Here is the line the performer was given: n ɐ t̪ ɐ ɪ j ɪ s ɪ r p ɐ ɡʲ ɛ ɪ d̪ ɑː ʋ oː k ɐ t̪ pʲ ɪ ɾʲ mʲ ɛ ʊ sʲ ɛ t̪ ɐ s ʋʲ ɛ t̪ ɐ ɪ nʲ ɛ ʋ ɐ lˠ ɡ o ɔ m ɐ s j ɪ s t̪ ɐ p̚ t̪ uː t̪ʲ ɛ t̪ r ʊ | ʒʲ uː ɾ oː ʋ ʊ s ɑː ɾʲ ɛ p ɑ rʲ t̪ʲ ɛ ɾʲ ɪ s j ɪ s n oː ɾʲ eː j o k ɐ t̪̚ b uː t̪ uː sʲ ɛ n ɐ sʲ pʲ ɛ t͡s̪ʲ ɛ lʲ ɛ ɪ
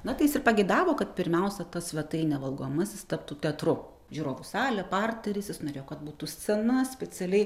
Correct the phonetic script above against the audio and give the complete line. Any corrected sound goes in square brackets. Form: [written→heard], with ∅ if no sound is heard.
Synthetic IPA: n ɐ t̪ ɐ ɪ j ɪ s ɪ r p ɐ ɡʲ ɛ ɪ d̪ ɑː ʋ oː k ɐ t̪ pʲ ɪ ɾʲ mʲ ɛ ʊ sʲ ɛ t̪ ɐ s ʋʲ ɛ t̪ ɐ ɪ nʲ ɛ ʋ ɐ lˠ ɡ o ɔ m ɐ s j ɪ s t̪ ɐ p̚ t̪ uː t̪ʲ ɛ t̪ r ʊ | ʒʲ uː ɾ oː ʋ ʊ s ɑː [ɾʲ→lʲ] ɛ p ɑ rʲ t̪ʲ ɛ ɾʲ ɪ s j ɪ s n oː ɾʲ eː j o k ɐ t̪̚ b uː t̪ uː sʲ ɛ n ɐ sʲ pʲ ɛ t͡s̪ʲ ɛ lʲ ɛ ɪ